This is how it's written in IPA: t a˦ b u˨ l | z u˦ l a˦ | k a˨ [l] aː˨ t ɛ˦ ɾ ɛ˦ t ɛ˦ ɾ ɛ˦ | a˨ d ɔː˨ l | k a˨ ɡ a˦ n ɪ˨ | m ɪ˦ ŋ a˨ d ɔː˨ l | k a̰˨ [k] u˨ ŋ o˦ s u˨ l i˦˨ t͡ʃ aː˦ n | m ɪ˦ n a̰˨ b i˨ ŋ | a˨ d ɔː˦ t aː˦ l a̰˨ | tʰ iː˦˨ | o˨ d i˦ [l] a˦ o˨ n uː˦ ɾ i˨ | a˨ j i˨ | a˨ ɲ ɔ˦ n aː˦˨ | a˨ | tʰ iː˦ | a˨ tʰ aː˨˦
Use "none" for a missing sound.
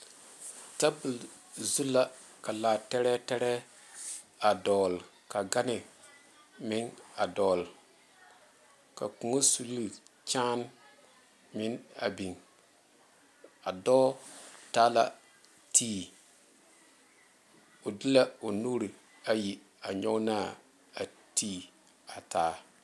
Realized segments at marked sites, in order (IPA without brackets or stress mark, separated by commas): l, k, l